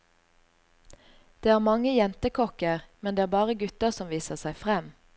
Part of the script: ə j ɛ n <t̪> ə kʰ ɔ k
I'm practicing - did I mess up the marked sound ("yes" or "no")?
no